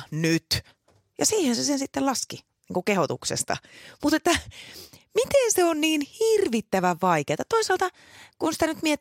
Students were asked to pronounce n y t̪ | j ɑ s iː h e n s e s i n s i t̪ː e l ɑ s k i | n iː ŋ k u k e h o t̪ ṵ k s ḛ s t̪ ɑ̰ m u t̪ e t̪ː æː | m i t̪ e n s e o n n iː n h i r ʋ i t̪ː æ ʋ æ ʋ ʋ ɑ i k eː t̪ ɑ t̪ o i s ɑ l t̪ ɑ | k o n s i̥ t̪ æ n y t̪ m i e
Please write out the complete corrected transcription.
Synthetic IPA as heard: n y t̪ | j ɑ s iː h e n s e s e n s i t̪ː e l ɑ s k i | n iː ŋ k u k e h o t̪ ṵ k s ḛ s t̪ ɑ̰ m u t̪ e t̪ː æ | m i t̪ e n s e o n n iː n h i r ʋ i t̪ː æ ʋ æ ʋ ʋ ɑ i k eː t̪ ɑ t̪ o i s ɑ l t̪ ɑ | k u n s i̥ t̪ æ n y t̪ m i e